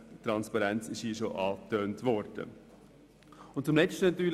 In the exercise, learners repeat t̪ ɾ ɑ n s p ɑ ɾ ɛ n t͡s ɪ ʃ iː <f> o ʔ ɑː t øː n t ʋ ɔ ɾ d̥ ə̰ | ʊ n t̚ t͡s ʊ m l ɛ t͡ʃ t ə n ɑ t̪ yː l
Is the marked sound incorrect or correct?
incorrect